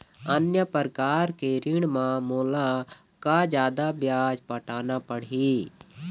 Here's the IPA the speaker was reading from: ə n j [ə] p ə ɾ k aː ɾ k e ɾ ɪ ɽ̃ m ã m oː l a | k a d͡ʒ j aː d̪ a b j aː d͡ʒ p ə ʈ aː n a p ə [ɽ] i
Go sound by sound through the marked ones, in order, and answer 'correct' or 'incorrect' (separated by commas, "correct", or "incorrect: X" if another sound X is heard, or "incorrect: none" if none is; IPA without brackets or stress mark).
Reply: correct, correct